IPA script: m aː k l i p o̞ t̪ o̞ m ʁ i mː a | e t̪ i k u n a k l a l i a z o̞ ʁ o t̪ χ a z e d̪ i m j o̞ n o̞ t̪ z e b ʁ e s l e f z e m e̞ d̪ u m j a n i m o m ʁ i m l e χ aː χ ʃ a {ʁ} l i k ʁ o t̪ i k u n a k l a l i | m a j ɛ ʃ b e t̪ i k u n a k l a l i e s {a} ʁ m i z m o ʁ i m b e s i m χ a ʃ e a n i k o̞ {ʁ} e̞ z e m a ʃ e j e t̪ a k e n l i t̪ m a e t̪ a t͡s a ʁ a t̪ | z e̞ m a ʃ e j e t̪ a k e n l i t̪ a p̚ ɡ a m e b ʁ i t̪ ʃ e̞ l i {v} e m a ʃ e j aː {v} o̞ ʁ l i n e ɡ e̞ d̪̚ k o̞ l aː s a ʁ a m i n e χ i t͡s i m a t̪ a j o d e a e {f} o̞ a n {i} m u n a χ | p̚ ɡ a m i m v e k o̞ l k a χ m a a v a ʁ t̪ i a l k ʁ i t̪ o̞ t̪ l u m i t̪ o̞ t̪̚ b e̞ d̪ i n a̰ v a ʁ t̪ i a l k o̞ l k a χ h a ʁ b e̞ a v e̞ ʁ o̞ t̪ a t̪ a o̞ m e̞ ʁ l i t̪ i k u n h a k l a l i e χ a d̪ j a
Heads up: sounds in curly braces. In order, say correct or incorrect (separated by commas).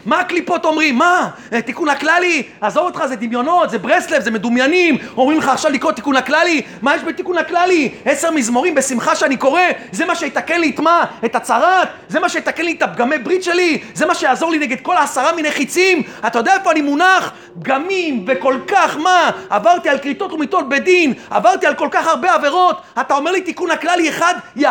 incorrect, incorrect, correct, incorrect, incorrect, correct, correct